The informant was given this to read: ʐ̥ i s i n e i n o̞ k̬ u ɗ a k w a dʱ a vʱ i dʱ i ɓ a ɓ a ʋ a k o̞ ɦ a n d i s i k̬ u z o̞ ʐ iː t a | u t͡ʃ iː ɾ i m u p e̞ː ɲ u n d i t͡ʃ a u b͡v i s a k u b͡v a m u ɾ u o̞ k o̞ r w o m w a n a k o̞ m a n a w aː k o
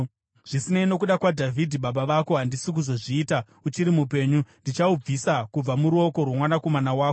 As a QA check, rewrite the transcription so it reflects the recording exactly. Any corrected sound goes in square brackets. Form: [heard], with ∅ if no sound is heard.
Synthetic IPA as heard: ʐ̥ i s i n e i n o̞ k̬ u ɗ a k w a dʱ a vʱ i dʱ i ɓ a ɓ a ʋ a k o̞ ɦ a n d i s i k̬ u z o̞ ʐ iː t a | u t͡ʃ [i] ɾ i m u p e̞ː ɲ u n d i t͡ʃ a u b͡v i s a k u b͡v a m u ɾ u o̞ k o̞ r w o m w a n a k o̞ m a n a w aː k o